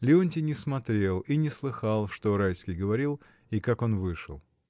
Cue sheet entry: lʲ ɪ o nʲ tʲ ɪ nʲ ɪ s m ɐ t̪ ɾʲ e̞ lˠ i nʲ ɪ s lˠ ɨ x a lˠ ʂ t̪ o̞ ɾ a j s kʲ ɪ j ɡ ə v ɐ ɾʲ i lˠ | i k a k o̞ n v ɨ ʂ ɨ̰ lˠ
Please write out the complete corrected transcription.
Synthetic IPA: lʲ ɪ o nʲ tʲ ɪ nʲ ɪ s m ɐ t̪ ɾʲ e̞ lˠ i nʲ ɪ s lˠ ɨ x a lˠ ʂ t̪ o̞ ɾ a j s kʲ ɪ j ɡ ə v ɐ ɾʲ i lˠ | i k a k o̞ n v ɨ ʂ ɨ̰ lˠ